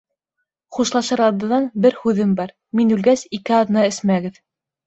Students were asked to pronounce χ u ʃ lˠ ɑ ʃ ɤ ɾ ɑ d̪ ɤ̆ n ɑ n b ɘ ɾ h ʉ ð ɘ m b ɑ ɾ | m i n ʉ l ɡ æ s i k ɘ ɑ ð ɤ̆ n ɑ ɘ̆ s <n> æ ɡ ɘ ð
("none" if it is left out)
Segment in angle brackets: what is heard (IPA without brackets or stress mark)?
m